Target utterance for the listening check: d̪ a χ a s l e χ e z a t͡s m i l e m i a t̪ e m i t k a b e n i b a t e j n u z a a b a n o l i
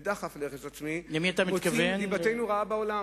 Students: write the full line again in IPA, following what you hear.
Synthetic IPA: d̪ a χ a f l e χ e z a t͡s m i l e m i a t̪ a m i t k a v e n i b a t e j n u ʁ a a b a o l a